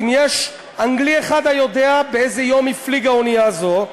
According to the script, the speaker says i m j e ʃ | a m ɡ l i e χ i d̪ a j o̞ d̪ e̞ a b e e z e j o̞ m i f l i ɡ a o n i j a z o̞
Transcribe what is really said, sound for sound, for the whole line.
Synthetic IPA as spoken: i m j e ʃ | a ŋ ɡ l i e χ a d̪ a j o̞ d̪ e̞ a b e e z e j o̞ m i f l i ɡ a o n i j a z o̞